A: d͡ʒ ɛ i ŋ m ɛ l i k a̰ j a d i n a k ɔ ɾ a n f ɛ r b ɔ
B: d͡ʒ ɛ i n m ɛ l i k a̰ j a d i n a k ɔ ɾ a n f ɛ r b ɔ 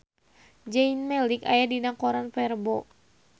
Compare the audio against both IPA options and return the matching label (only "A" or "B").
B